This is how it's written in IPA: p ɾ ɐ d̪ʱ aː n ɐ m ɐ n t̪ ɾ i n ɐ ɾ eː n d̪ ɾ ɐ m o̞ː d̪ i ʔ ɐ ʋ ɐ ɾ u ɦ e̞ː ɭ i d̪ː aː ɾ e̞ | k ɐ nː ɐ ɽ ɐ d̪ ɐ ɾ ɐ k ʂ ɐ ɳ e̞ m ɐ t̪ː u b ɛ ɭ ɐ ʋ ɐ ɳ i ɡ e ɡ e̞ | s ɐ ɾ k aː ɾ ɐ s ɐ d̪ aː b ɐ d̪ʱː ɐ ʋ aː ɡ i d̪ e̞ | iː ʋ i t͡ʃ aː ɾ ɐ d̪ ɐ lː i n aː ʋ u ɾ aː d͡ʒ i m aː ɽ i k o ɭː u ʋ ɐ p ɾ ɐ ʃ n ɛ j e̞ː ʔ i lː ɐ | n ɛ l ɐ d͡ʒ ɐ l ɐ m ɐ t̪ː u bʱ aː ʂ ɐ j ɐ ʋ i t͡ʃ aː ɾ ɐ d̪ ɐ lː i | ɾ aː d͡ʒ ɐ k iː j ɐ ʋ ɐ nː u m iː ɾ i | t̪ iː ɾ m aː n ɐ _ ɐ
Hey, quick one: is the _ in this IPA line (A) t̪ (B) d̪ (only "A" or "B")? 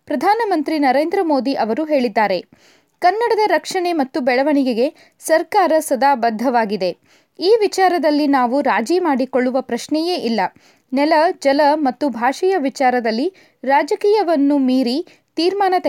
A